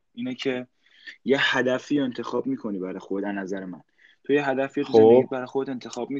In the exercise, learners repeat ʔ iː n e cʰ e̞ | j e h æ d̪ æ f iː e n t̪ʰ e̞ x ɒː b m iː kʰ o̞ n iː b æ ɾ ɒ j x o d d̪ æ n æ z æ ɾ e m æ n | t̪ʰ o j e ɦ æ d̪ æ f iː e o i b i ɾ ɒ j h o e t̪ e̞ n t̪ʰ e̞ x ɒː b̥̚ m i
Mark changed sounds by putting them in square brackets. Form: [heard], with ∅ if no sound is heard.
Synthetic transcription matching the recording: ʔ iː n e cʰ e̞ | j e h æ d̪ æ f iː e n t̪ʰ e̞ x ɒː b m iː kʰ o̞ n iː b æ ɾ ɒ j x o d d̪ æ n æ z æ ɾ e m æ n | t̪ʰ o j e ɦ æ d̪ æ f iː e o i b [æ] ɾ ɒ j [x] o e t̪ e̞ n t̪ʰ e̞ x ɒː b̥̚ m i